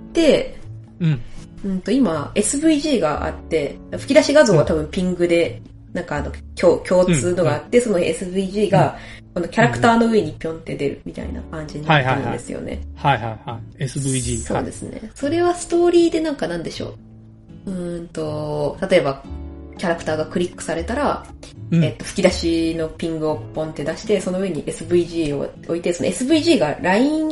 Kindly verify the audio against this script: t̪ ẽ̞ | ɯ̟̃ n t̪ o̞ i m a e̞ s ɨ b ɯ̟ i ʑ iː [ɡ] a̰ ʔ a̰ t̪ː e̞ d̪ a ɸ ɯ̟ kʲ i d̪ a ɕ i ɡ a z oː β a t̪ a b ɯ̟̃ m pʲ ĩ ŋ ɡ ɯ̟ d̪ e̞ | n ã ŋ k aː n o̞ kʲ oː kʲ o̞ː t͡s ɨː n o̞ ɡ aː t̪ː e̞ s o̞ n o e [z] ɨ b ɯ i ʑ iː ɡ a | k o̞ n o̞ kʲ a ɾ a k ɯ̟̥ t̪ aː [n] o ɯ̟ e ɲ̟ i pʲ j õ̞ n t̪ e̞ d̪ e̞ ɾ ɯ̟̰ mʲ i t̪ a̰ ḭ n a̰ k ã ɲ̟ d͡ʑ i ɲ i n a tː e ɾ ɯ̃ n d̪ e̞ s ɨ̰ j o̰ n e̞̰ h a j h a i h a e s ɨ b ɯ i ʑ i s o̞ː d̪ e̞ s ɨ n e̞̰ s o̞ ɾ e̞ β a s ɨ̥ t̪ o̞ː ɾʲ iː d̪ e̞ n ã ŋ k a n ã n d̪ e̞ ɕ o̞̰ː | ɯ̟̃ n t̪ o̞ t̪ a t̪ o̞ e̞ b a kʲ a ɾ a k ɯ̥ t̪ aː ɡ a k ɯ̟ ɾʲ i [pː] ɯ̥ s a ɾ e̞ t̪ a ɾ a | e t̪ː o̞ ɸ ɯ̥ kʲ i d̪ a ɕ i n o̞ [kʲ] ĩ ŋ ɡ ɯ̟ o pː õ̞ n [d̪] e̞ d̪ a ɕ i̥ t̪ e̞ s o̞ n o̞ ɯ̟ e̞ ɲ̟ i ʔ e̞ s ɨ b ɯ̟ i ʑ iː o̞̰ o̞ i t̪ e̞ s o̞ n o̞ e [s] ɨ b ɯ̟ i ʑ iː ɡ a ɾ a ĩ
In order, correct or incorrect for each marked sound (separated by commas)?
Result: correct, incorrect, correct, incorrect, incorrect, incorrect, correct